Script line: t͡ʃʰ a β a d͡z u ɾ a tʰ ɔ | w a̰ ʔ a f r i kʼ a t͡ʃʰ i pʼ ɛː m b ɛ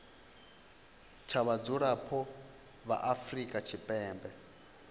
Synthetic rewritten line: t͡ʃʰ a β a d͡z u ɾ a pʰ ɔ | β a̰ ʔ a f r i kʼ a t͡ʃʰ i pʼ ɛː m b ɛ